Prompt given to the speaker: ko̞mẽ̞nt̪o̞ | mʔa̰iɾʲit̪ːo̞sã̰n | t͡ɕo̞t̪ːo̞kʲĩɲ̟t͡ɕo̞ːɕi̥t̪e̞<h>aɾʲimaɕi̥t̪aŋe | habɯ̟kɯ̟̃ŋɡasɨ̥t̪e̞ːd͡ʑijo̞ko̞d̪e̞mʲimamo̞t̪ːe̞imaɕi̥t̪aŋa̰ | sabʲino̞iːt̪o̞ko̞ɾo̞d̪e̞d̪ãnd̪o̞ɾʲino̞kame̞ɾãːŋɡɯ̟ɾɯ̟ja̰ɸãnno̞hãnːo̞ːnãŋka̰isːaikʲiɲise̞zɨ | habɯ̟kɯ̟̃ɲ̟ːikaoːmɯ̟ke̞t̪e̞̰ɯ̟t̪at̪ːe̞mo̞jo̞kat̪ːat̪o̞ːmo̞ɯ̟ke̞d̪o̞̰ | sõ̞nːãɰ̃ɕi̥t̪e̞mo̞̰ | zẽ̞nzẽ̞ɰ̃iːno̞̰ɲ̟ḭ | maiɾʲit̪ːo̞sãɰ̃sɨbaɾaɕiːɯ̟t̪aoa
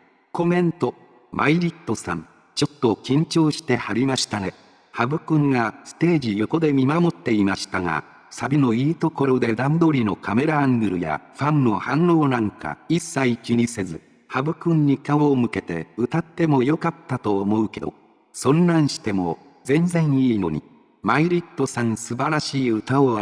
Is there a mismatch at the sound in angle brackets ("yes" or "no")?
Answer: no